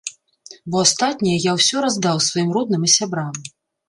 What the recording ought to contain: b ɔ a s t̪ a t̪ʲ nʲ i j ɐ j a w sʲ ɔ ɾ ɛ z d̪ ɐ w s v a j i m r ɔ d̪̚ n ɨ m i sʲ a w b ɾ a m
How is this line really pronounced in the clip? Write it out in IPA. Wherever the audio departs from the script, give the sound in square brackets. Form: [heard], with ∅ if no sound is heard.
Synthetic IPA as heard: b ɔ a s t̪ a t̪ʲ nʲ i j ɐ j a w sʲ ɔ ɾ [a] z d̪ [a] w s v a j i m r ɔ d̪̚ n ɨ m i sʲ a [∅] b ɾ a m